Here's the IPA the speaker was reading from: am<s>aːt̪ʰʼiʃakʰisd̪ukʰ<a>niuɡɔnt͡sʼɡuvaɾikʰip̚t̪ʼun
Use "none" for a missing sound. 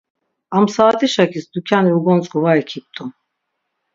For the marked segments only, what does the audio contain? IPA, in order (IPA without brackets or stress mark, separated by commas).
s, a